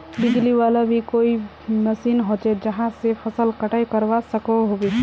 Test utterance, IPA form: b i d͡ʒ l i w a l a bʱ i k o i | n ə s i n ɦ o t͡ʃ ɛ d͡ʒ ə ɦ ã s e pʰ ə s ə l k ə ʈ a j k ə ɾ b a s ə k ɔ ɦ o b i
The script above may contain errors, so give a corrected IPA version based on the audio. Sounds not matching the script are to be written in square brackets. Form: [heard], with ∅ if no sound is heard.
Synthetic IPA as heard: b i d͡ʒ l i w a l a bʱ i k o i | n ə s i n ɦ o t͡ʃ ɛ d͡ʒ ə ɦ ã s e pʰ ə s ə l k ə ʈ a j k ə ɾ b a s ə k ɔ ɦ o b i